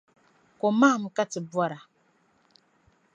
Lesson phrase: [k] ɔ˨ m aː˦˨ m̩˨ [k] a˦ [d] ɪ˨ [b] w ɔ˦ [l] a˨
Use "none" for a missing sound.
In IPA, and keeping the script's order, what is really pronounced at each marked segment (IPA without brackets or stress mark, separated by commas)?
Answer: k, k, t, b, ɾ